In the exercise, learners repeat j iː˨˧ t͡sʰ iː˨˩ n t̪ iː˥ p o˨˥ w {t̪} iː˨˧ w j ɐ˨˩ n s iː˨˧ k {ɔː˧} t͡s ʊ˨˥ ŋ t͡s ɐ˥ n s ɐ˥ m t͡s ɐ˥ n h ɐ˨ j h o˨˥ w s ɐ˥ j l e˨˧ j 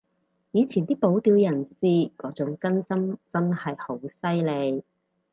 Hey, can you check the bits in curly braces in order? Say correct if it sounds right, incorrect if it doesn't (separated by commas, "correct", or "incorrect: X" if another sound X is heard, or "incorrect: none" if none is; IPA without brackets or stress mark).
correct, incorrect: ɔː˨˥